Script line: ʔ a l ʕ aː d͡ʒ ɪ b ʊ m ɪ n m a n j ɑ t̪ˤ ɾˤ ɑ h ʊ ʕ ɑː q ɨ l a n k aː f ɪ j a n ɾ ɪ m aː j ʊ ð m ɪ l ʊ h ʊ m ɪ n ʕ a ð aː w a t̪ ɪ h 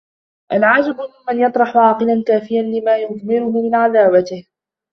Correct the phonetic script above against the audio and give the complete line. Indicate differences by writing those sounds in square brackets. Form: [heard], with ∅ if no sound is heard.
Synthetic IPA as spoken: ʔ a l ʕ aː d͡ʒ ɪ b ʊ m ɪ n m a n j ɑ t̪ˤ ɾˤ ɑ [ħ] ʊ ʕ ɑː q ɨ l a n k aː f ɪ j a n [l] ɪ m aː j ʊ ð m ɪ [ɾ] ʊ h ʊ m ɪ n ʕ a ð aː w a t̪ ɪ h